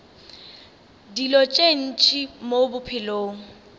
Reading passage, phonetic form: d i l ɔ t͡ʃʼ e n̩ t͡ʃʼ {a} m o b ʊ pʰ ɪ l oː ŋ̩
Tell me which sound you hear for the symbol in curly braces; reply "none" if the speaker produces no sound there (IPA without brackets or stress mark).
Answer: i